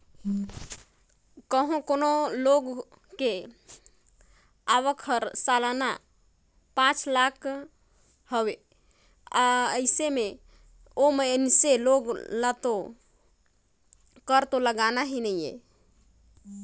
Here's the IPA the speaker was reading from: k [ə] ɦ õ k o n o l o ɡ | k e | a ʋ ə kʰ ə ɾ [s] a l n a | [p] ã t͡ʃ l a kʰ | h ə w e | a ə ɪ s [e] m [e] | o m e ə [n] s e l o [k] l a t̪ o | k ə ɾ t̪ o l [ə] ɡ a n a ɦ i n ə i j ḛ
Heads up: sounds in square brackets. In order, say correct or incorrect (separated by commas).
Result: correct, correct, correct, correct, correct, correct, incorrect, correct